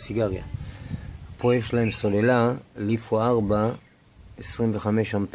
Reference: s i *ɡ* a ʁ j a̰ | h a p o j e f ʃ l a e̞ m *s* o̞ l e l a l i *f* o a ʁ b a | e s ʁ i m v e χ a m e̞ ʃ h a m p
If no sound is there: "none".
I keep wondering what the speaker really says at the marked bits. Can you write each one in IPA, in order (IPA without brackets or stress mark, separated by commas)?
ɡ, s, f